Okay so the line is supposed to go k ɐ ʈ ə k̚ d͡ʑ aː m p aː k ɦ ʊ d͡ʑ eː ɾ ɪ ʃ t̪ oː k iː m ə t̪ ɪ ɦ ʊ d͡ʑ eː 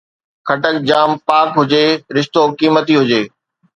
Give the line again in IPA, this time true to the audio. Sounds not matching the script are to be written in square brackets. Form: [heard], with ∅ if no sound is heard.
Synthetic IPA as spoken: [kʰ] ɐ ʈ ə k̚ d͡ʑ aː m p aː k ɦ ʊ d͡ʑ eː ɾ ɪ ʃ t̪ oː k iː m ə t̪ [i] ɦ ʊ d͡ʑ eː